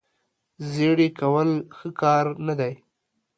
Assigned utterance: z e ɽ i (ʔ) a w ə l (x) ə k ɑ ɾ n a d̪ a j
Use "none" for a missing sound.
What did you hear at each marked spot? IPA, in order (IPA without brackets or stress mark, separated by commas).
k, x